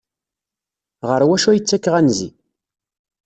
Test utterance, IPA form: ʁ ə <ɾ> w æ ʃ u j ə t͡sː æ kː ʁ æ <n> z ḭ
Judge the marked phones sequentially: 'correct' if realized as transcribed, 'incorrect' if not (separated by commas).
correct, correct